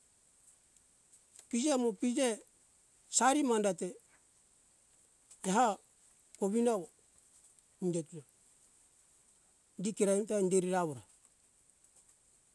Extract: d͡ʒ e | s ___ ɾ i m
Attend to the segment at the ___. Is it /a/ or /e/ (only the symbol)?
a